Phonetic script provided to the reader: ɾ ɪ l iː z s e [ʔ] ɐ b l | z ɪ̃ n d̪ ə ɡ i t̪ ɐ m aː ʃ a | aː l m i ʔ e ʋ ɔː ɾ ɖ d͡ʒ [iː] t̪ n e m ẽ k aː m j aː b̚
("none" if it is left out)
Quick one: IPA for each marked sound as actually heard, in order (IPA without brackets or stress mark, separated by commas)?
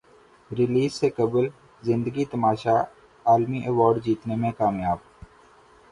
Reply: k, iː